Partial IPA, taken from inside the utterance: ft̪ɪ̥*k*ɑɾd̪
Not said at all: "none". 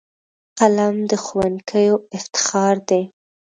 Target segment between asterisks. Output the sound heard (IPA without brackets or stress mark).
x